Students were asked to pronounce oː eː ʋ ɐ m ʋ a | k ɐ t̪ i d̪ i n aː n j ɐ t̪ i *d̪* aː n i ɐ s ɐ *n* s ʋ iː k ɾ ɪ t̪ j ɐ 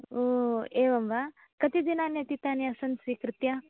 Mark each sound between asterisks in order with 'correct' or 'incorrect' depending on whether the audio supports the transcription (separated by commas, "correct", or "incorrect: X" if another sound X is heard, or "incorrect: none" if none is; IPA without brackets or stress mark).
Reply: incorrect: t̪, correct